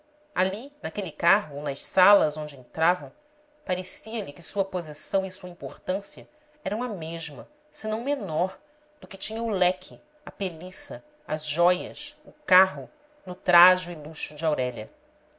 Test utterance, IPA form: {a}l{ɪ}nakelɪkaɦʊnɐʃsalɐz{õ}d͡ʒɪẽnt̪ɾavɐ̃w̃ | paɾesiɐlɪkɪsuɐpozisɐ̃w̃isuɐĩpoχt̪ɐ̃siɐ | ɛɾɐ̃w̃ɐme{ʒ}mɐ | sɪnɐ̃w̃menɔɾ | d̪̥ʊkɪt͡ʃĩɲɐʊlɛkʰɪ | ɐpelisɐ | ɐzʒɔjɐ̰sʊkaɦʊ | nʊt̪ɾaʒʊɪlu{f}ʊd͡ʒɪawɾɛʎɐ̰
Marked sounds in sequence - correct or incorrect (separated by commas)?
correct, incorrect, correct, correct, incorrect